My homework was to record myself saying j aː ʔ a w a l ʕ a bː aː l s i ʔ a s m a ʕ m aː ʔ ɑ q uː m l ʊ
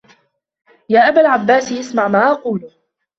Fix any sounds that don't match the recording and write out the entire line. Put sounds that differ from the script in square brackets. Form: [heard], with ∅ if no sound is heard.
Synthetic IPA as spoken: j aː ʔ a [b] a l ʕ a bː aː [∅] s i ʔ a s m a ʕ m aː ʔ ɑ q uː [∅] l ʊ